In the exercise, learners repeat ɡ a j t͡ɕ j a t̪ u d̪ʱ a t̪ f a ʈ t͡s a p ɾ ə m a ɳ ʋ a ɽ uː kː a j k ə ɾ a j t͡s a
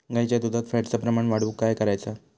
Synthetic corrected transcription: ɡ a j t͡ɕ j a d̪ u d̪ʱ a t̪ f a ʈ t͡s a p ɾ ə m a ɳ ʋ a ɽ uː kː a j k ə ɾ a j t͡s a